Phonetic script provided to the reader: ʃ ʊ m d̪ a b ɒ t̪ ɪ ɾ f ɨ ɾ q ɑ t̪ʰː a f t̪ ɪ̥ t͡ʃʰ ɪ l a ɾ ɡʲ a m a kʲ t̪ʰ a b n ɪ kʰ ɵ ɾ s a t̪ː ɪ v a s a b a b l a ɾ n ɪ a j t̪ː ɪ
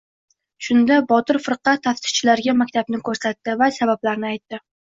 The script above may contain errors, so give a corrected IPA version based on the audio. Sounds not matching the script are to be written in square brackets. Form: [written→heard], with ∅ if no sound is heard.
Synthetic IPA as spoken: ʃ ʊ [m→n] d̪ a b ɒ t̪ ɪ ɾ f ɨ ɾ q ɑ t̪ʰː a f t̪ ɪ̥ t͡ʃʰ ɪ l a ɾ ɡʲ a m a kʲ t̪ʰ a b n ɪ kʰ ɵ ɾ s a t̪ː ɪ v a s a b a b l a ɾ n ɪ a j t̪ː ɪ